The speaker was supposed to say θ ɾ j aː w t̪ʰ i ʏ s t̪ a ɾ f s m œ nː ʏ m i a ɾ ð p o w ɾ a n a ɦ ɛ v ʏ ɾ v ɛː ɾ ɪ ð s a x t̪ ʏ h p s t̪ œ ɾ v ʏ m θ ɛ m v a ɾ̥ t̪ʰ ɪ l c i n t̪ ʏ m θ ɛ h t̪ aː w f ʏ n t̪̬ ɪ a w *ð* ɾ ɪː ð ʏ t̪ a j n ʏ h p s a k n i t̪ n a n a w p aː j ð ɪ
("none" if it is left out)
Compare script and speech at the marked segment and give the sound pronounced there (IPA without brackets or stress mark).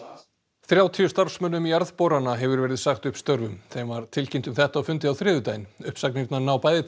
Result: θ